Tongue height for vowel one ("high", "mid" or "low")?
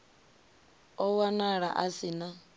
mid